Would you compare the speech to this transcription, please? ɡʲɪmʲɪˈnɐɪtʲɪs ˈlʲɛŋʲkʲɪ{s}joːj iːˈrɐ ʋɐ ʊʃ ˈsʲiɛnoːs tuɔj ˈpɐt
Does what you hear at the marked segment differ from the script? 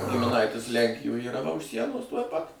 yes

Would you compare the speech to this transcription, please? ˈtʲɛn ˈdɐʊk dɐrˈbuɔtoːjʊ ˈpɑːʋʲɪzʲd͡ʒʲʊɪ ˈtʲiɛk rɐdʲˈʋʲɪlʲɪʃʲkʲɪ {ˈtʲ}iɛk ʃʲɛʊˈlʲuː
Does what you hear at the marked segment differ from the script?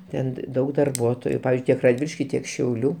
no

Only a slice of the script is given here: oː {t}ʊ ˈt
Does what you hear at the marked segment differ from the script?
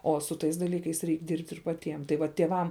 yes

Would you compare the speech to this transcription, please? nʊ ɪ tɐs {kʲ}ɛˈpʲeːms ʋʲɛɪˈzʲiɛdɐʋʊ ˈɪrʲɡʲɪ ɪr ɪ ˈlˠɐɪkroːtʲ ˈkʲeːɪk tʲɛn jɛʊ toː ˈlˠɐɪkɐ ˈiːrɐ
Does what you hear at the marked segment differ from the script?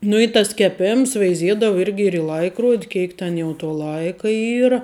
no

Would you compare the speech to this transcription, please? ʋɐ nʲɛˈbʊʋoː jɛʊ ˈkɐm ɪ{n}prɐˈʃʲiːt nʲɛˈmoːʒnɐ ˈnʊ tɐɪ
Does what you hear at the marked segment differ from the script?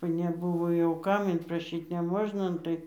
no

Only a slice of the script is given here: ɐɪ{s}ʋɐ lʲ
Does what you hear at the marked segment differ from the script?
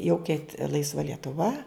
no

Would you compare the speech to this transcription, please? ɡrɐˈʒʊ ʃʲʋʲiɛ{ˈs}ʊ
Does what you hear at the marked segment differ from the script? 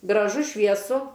no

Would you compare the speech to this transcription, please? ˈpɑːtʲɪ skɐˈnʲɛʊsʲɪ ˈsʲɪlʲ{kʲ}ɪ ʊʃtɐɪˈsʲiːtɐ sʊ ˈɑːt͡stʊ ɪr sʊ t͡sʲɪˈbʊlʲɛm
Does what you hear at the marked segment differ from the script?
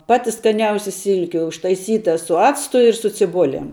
no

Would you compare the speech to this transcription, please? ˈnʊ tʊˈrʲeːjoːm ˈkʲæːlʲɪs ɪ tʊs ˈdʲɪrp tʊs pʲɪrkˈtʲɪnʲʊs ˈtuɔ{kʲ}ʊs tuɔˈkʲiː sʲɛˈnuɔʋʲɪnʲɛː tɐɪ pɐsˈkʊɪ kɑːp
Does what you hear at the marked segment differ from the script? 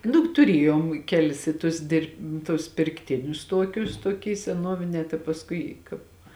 no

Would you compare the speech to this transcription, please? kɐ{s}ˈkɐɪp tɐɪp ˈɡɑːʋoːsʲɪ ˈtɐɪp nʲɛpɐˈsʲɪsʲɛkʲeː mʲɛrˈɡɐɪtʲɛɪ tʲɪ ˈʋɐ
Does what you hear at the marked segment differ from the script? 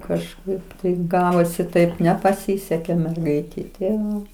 yes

